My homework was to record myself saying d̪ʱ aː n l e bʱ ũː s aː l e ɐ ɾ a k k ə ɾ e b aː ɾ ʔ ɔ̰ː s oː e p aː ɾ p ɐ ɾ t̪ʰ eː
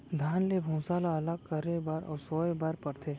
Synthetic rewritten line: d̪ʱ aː n l e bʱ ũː s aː l a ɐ l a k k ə ɾ e b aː ɾ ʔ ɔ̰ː s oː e b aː ɾ p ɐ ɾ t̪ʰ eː